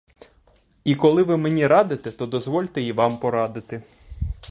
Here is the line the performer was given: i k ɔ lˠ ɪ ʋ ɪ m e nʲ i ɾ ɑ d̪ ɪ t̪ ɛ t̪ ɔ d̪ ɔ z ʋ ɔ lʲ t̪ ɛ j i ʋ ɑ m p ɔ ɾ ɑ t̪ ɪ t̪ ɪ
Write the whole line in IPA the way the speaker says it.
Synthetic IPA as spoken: i k ɔ lˠ ɪ ʋ ɪ m e nʲ i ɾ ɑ d̪ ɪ t̪ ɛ t̪ ɔ d̪ ɔ z ʋ ɔ lʲ t̪ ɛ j i ʋ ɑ m p ɔ ɾ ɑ d̪ ɪ t̪ ɪ